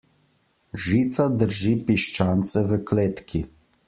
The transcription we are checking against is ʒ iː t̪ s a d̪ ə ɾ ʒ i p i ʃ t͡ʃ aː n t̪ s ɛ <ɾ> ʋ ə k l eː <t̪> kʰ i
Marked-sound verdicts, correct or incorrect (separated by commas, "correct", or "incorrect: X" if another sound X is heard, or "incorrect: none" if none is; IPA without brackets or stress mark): incorrect: none, correct